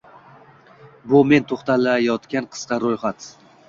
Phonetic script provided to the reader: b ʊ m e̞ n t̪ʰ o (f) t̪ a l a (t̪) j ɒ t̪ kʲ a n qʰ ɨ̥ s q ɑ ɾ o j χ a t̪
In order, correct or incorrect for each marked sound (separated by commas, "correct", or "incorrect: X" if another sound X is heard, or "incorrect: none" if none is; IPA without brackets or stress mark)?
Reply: incorrect: χ, incorrect: none